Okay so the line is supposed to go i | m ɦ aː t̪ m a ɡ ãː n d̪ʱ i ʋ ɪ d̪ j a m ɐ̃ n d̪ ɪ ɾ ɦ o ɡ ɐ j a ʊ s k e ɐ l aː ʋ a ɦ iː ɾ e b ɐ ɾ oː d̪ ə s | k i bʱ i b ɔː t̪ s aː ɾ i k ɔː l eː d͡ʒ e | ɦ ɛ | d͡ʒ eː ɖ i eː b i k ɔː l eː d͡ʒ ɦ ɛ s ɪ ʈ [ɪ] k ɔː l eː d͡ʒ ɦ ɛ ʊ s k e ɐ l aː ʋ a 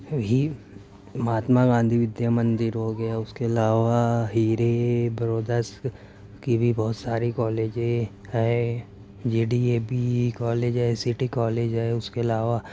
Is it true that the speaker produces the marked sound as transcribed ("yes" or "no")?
no